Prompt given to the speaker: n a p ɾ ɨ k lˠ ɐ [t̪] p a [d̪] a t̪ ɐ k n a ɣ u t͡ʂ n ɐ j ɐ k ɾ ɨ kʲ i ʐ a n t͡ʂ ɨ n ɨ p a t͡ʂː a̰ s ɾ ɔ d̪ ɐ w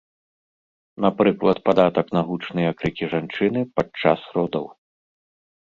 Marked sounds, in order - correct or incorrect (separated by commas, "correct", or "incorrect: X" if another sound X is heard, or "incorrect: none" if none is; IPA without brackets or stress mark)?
correct, correct